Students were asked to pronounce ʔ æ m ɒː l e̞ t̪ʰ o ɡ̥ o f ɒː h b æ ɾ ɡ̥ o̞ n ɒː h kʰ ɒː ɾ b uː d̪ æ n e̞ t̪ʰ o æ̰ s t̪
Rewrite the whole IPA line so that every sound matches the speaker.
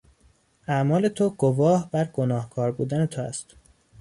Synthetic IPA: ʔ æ m ɒː l e̞ t̪ʰ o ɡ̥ o v ɒː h b æ ɾ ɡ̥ o̞ n ɒː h kʰ ɒː ɾ b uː d̪ æ n e̞ t̪ʰ o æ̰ s t̪